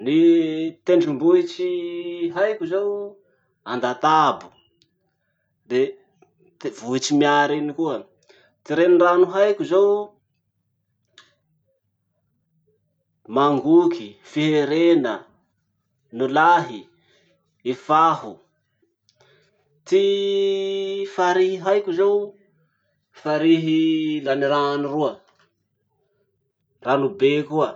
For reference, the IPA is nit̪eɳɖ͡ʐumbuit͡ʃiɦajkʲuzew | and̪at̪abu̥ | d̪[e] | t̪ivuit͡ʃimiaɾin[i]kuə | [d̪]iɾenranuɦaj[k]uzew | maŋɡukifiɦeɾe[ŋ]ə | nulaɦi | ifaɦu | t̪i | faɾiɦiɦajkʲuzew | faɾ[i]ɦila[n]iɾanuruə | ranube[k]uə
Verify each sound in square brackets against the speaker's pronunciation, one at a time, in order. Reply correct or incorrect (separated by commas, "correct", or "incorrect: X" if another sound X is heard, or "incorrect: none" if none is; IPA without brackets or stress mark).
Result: correct, correct, incorrect: t̪, correct, incorrect: n, correct, correct, correct